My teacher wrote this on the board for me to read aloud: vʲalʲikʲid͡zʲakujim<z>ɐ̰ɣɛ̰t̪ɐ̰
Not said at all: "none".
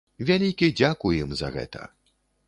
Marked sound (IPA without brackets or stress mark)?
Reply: z